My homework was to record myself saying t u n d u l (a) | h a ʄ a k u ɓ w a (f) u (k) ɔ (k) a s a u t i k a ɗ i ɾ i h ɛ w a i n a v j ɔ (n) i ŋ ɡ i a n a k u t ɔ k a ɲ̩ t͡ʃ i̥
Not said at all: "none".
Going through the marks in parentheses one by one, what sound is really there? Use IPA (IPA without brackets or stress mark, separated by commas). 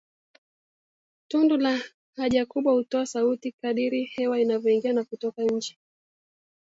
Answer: a, h, t, none, none